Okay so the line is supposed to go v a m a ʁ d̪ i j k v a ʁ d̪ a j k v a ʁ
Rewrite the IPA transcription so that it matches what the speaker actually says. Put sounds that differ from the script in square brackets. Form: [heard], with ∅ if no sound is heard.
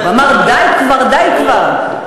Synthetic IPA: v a m a ʁ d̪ [a] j k v a ʁ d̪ a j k v a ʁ